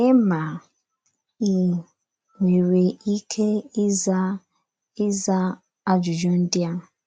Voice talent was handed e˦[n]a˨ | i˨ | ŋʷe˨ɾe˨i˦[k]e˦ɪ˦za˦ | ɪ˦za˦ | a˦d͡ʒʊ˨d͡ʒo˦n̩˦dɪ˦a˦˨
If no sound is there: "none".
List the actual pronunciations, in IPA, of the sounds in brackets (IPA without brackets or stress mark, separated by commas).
m, kʰ